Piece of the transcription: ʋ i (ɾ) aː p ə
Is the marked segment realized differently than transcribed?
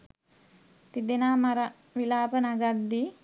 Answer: yes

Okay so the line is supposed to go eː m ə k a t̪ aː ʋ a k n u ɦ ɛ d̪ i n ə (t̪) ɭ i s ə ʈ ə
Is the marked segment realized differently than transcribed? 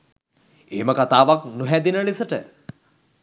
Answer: yes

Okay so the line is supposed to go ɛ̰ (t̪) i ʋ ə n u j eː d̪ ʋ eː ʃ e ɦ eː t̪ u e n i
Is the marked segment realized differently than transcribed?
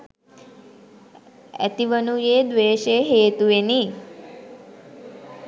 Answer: no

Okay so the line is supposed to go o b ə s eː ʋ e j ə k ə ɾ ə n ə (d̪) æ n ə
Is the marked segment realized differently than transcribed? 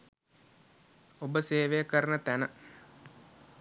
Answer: yes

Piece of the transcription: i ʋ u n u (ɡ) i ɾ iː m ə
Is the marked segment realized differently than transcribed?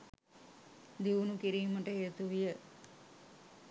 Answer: yes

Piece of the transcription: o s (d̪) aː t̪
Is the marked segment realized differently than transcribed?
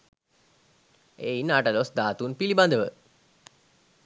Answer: no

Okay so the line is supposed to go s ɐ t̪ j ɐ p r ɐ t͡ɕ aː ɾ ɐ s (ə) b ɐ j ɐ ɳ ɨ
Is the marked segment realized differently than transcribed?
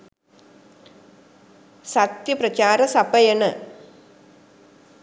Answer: yes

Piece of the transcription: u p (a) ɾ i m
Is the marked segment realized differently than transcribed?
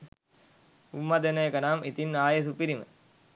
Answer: yes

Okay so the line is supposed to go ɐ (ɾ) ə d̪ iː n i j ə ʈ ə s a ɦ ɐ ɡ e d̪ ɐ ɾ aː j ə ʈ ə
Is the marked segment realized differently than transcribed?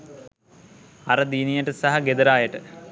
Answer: no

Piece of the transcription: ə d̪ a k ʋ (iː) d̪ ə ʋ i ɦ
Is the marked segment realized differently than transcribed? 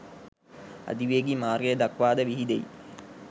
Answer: yes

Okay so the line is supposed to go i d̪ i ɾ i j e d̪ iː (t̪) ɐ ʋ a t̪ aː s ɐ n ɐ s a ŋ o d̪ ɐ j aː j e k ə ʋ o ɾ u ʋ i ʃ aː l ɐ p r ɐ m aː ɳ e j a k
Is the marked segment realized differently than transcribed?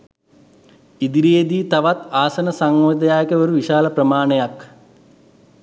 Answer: no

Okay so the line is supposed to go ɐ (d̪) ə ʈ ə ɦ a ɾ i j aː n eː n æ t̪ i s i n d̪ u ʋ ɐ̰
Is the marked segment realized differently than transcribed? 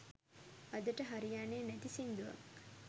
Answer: no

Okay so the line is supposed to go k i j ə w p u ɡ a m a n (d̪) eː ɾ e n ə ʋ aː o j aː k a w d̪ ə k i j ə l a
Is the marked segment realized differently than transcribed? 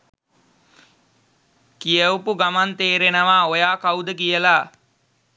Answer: yes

